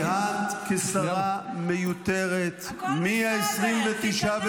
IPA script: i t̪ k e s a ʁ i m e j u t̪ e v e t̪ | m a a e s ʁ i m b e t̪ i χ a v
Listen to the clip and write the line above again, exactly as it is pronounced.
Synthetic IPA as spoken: a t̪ k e s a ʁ a m e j u t̪ e ʁ e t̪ | m i a e s ʁ i m v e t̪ i ʃ a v